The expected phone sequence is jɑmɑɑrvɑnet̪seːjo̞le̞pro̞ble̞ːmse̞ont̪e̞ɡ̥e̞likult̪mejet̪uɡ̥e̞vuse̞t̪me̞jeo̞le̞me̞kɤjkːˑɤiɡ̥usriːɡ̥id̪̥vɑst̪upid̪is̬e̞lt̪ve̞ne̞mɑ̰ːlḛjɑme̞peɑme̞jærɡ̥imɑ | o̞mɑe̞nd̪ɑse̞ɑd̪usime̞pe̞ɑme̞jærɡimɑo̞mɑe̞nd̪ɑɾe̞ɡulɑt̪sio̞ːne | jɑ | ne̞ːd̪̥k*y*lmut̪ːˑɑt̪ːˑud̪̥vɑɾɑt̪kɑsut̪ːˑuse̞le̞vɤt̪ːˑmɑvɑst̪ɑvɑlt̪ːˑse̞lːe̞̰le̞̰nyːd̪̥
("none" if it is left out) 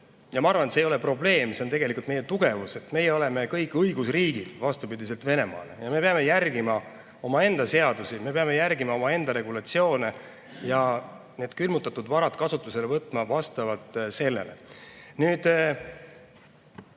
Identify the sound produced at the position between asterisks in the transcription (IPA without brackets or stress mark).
y